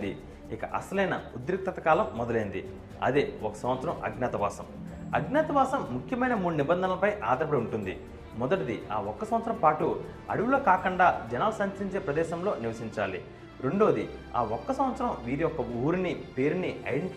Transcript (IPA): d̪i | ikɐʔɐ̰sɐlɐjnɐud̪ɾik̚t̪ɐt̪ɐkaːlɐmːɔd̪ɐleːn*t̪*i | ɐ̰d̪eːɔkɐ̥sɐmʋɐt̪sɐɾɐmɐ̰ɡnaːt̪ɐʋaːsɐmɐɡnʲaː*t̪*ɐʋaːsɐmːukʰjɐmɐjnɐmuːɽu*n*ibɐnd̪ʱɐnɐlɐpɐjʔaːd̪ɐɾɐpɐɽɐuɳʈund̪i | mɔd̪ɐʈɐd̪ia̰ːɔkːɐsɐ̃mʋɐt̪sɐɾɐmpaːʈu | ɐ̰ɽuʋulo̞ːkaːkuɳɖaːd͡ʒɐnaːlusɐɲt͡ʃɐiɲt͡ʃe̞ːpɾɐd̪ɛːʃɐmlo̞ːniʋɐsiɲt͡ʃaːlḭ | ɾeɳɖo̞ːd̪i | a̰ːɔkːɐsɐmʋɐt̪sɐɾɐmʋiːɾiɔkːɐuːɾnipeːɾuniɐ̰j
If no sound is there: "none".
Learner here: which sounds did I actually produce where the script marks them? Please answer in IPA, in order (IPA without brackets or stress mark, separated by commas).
d̪, t̪, n